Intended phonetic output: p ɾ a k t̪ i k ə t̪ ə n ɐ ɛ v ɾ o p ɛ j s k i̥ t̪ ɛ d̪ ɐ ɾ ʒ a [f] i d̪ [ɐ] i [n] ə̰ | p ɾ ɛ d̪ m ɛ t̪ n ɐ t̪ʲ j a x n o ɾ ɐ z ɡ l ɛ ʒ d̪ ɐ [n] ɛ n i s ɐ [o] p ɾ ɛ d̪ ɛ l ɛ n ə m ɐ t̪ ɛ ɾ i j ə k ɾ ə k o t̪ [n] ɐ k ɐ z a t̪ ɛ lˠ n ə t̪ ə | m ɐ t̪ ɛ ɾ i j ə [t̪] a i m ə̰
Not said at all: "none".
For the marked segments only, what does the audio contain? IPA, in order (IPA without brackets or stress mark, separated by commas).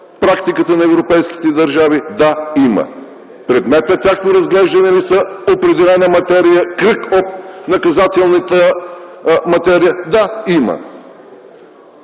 v, a, m, n, o, n, d̪